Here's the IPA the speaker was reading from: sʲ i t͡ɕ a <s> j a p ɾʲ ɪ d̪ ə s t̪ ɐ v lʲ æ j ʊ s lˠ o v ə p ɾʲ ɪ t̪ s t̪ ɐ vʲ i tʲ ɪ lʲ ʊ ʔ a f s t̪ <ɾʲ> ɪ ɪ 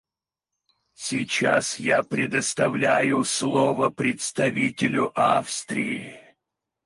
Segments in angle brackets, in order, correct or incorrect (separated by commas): correct, correct